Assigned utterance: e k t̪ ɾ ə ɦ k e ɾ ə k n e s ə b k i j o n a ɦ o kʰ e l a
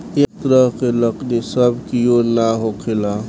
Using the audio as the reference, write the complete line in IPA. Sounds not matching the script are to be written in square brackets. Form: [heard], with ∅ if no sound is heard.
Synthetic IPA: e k t̪ ɾ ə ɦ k e [l] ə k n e s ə b k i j o n a ɦ o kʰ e l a